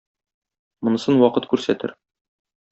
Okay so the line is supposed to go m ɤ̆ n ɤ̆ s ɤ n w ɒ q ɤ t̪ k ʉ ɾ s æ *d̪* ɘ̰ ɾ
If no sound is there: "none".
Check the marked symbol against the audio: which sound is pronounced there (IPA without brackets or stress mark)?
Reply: t̪